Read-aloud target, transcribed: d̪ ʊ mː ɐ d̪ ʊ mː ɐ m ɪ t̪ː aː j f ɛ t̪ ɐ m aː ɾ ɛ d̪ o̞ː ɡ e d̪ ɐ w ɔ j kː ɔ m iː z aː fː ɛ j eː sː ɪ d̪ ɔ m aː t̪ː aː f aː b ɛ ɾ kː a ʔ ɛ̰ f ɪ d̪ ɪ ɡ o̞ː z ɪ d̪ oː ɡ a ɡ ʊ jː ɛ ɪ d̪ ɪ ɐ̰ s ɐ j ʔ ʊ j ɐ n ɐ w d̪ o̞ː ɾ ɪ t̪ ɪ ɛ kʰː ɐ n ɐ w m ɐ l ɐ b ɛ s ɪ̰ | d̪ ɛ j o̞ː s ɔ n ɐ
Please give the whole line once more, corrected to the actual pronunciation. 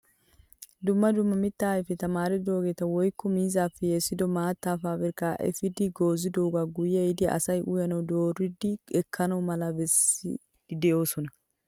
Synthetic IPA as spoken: d̪ ʊ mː ɐ d̪ ʊ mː ɐ m ɪ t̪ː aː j f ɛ t̪ ɐ m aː ɾ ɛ d̪ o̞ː ɡ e t̪ ɐ w ɔ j kː ɔ m iː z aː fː ɛ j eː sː ɪ d̪ ɔ m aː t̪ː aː f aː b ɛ ɾ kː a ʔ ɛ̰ f ɪ d̪ ɪ ɡ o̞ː z ɪ d̪ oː ɡ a ɡ ʊ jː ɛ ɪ d̪ ɪ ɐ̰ s ɐ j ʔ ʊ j ɐ n ɐ w d̪ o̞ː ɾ ɪ d̪ ɪ ɛ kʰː ɐ n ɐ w m ɐ l ɐ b ɛ s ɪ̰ | d̪ ɛ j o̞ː s ɔ n ɐ

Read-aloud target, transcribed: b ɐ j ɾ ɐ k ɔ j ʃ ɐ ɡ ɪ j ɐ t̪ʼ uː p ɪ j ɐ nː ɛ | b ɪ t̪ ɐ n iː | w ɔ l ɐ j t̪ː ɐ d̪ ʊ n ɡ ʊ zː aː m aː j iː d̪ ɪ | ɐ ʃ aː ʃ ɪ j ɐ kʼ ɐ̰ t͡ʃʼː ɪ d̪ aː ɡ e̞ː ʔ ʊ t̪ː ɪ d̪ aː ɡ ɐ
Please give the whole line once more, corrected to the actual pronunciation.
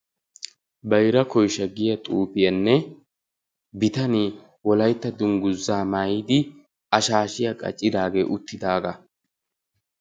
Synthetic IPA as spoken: b ɐ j ɾ ɐ k ɔ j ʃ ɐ ɡ ɪ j ɐ t̪ʼ uː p ɪ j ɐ nː ɛ | b ɪ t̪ ɐ n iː | w ɔ l ɐ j t̪ː ɐ d̪ ʊ ŋ ɡ ʊ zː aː m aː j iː d̪ ɪ | ɐ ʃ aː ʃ ɪ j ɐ kʼ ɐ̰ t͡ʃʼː ɪ d̪ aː ɡ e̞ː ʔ ʊ t̪ː ɪ d̪ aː ɡ ɐ

